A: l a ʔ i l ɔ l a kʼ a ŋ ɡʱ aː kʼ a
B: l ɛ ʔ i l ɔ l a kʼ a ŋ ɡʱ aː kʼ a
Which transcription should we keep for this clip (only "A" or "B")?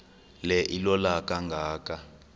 B